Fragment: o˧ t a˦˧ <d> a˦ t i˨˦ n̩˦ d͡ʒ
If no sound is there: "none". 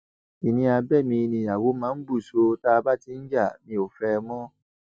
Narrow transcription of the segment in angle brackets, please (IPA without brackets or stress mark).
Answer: b